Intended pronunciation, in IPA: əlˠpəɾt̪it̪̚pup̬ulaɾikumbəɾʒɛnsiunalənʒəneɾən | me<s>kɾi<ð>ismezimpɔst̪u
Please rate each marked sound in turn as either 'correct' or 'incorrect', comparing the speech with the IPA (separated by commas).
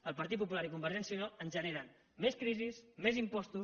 correct, incorrect